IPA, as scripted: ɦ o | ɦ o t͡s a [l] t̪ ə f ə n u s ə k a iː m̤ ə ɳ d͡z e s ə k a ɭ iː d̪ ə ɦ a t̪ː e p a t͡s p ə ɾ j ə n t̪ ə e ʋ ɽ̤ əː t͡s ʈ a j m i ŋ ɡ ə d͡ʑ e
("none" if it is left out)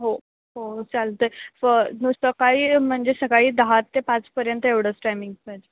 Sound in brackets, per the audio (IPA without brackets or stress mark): l